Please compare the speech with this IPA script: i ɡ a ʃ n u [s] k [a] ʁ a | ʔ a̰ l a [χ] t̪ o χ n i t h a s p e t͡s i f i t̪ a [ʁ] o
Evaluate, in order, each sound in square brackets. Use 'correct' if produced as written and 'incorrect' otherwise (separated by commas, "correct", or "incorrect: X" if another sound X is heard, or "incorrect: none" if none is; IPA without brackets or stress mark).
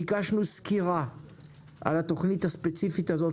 correct, incorrect: i, incorrect: none, incorrect: z